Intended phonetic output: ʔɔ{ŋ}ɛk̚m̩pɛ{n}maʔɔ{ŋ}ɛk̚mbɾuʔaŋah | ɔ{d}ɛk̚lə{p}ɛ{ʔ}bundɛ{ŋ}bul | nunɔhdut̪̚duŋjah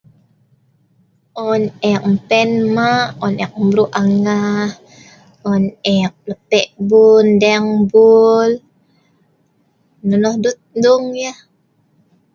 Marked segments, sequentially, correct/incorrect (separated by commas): incorrect, correct, incorrect, incorrect, correct, correct, correct